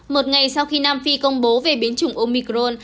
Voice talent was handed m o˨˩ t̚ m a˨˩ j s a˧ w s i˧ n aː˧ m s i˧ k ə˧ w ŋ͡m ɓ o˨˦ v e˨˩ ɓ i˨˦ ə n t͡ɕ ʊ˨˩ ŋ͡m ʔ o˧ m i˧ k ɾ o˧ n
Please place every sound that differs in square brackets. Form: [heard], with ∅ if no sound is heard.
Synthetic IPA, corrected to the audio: m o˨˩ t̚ [ŋ] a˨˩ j s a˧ w [x] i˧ n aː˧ m [f] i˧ k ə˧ w ŋ͡m ɓ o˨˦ v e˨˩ ɓ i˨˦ ə n t͡ɕ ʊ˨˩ ŋ͡m ʔ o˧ m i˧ k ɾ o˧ n